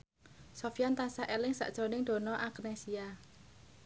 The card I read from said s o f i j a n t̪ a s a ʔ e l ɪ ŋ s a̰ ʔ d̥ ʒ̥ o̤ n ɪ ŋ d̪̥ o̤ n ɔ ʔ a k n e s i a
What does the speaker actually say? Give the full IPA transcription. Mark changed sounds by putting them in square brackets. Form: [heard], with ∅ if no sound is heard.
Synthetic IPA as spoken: s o f i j a n t̪ a s a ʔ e l ɪ ŋ s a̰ ʔ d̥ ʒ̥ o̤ n ɪ ŋ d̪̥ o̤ n ɔ ʔ a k n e s i a